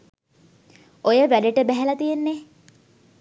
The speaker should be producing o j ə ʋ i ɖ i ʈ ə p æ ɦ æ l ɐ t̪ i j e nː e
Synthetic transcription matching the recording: o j ə ʋ æ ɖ e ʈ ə b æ ɦ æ l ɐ t̪ i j e nː e